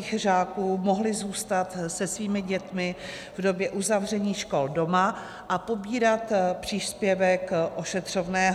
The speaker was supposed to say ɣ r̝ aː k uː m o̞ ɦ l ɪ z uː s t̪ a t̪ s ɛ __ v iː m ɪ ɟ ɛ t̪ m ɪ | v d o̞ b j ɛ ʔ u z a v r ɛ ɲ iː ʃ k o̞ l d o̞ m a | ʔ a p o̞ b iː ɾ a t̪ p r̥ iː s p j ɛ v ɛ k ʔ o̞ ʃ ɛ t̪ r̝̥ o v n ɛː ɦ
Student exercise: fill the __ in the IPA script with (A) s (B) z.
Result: A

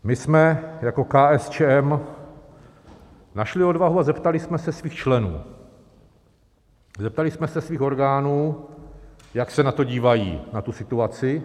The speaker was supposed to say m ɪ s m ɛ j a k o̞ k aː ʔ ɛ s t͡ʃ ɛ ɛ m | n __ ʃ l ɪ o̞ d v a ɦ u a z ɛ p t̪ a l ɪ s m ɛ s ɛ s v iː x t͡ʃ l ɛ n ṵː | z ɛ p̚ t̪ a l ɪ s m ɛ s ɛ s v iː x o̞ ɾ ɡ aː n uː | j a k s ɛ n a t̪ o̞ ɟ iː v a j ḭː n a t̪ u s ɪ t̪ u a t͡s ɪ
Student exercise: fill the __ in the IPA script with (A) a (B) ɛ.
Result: A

